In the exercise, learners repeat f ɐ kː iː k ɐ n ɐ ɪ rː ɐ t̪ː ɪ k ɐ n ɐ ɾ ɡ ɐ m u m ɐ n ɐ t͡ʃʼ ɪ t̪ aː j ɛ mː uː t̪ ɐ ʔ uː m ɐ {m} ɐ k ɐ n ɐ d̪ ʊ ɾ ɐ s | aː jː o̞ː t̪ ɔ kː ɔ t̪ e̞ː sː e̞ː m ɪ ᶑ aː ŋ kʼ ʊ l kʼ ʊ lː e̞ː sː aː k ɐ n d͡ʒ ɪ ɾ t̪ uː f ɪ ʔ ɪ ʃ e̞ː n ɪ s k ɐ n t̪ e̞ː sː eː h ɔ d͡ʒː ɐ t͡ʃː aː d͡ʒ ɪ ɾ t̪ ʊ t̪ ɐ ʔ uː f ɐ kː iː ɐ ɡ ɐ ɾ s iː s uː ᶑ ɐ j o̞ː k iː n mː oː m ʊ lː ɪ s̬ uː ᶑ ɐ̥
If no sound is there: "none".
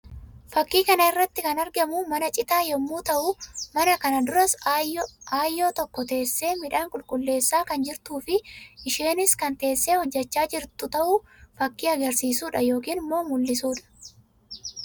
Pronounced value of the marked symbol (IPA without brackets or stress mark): n